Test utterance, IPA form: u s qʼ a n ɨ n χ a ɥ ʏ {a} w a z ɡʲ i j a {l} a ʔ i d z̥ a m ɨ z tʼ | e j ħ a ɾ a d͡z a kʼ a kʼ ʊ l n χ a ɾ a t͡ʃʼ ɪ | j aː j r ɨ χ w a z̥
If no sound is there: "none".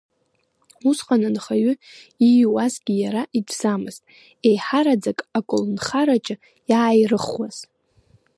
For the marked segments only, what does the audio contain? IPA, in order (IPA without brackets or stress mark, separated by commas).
i, ɾ